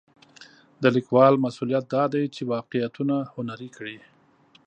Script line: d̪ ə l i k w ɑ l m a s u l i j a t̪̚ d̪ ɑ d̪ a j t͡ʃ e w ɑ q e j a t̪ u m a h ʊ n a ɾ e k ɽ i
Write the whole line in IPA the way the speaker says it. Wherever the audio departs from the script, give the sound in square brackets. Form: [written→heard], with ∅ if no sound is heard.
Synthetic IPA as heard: d̪ ə l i k w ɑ l m a s u l i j a t̪̚ d̪ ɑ d̪ a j t͡ʃ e w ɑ q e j a t̪ u [m→n] a h ʊ n a ɾ [e→i] k ɽ i